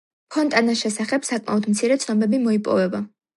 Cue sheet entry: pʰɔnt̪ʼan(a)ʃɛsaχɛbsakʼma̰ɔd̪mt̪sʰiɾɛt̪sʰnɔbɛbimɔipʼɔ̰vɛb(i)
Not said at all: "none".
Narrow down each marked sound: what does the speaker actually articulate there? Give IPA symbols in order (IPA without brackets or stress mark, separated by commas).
a, a